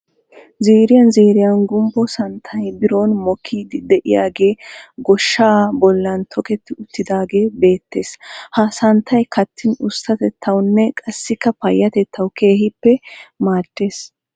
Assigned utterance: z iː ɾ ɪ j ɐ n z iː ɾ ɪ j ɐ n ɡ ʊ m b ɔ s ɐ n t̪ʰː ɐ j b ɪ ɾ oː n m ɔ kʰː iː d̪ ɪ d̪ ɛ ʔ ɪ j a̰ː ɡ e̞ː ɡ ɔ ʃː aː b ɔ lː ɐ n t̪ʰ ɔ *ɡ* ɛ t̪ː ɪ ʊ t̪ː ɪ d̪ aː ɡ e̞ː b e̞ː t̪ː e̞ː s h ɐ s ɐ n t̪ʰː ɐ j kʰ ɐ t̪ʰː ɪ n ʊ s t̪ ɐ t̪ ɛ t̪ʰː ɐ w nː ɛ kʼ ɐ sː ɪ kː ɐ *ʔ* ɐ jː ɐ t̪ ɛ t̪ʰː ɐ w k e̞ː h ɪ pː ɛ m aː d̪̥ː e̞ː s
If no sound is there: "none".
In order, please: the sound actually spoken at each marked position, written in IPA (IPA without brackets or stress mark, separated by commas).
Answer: k, p